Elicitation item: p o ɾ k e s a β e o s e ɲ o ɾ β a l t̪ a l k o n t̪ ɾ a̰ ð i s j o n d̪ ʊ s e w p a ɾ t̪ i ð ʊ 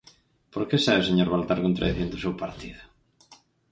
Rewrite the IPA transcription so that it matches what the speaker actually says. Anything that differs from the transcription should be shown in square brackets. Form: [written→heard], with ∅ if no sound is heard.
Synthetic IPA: p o ɾ k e s a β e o s e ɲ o ɾ β a l t̪ a [l→ɾ] k o n t̪ ɾ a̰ ð i [s→θ] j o n d̪ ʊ s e w p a ɾ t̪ i ð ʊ